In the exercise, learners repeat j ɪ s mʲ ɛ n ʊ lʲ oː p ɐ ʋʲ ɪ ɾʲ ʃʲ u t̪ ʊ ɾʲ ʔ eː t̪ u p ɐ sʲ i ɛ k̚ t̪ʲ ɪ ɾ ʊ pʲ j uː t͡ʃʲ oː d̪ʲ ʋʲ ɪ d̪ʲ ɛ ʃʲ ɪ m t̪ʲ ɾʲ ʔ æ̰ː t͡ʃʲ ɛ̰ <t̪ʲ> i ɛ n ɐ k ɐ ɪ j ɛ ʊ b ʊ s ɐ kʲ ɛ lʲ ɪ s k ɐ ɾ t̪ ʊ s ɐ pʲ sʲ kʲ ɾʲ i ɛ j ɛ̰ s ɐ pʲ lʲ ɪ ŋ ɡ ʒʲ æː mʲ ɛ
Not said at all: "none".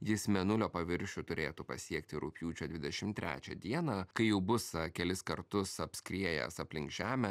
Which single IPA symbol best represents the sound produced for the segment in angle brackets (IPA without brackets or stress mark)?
d̪ʲ